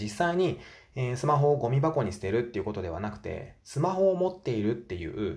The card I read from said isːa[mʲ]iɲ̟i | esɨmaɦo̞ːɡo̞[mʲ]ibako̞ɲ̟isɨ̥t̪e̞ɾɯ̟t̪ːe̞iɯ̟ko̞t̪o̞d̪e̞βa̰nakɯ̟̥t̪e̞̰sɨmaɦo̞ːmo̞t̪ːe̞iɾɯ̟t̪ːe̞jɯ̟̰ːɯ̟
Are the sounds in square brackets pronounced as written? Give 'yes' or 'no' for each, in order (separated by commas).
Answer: no, yes